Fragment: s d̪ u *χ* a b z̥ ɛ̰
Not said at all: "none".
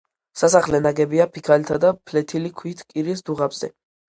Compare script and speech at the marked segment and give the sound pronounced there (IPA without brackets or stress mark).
ʁ